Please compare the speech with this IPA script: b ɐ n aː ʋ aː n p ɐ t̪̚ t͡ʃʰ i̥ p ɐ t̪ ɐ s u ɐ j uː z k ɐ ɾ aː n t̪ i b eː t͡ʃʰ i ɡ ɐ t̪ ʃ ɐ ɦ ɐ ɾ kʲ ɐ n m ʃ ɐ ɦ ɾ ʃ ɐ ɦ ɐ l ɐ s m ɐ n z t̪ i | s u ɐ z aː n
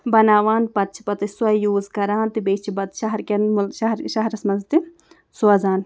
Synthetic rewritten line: b ɐ n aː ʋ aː n p ɐ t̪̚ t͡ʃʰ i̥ p ɐ t̪ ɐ s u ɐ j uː z k ɐ ɾ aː n t̪ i b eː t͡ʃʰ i b ɐ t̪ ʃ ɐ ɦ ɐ ɾ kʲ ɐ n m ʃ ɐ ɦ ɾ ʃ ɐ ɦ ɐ ɾ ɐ s m ɐ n z t̪ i | s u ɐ z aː n